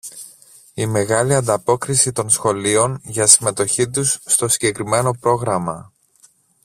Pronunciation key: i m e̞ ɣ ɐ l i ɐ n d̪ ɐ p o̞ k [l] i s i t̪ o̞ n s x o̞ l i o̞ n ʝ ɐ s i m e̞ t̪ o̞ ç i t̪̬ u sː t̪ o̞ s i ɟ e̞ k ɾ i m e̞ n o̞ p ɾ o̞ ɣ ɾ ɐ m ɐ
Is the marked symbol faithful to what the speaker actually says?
no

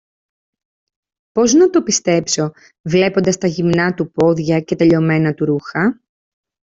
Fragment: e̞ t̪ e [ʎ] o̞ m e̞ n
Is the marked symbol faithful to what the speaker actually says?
yes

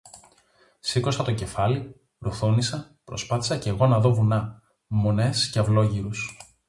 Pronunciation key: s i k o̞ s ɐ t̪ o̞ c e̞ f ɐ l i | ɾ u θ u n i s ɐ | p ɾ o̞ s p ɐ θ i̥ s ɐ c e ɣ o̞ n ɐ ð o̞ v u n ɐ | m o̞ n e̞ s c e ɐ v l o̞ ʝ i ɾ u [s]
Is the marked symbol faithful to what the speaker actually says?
yes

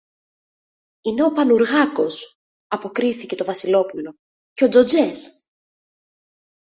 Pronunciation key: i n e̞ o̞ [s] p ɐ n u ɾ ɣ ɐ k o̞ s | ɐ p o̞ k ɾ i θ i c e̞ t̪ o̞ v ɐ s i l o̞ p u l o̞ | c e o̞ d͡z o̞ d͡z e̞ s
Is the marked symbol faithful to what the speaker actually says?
no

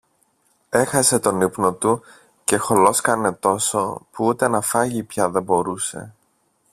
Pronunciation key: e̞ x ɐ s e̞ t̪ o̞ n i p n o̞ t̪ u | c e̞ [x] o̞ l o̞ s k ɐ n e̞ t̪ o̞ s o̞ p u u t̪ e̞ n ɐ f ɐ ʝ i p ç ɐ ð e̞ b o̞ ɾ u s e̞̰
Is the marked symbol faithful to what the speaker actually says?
yes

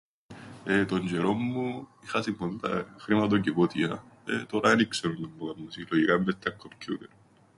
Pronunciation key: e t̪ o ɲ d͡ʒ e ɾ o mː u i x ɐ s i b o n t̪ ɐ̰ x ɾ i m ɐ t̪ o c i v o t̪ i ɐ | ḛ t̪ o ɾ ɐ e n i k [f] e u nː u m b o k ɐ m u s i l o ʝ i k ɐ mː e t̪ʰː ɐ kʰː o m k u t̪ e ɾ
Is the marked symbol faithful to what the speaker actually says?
no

